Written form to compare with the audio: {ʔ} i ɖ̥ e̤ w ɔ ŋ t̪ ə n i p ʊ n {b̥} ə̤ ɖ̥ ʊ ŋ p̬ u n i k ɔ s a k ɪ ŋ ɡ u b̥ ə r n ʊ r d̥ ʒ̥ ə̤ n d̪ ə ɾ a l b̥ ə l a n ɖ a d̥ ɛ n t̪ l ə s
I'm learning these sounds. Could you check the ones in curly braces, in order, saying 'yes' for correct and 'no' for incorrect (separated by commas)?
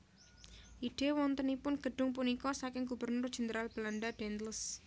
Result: yes, no